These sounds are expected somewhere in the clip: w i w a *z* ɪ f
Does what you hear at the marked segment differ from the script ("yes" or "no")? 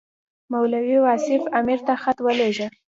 yes